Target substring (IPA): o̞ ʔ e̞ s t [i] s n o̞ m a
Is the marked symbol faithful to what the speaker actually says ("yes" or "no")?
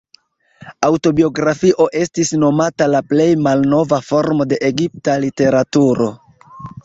yes